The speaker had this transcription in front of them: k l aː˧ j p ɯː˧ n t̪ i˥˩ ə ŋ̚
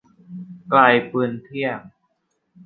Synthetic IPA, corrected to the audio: k l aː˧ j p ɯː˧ n t̪ʰ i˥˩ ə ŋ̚